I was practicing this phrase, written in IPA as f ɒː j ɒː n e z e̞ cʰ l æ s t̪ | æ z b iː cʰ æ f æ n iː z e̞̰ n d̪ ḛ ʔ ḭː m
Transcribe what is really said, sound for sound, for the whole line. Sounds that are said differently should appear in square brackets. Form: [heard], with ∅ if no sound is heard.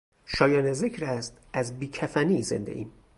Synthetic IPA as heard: [ʃ] ɒː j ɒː n e z e̞ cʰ [ɾ] æ s t̪ | æ z b iː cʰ æ f æ n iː z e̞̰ n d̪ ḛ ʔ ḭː m